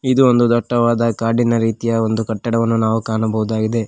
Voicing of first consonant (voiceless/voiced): voiced